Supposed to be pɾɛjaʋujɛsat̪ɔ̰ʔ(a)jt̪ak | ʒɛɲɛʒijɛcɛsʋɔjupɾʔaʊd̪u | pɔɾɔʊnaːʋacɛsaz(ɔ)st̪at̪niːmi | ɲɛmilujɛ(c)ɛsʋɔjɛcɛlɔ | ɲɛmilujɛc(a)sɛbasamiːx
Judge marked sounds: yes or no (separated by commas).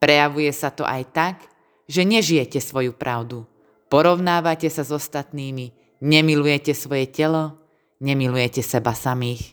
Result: yes, yes, yes, no